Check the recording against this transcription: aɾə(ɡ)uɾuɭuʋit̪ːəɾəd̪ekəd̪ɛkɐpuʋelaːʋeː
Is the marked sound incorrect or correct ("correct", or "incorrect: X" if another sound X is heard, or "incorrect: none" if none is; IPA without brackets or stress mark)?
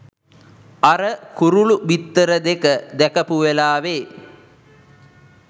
incorrect: k